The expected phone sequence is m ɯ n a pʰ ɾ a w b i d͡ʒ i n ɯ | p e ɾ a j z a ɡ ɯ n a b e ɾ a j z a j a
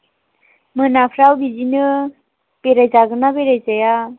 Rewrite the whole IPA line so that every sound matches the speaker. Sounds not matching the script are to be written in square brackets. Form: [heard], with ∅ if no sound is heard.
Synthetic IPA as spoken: m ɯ n a pʰ ɾ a w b i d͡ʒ i n ɯ | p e ɾ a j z a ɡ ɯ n a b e ɾ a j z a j a